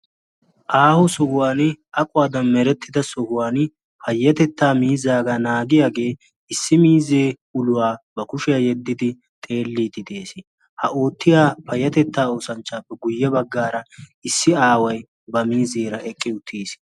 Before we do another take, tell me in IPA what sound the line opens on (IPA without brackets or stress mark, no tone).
ʔ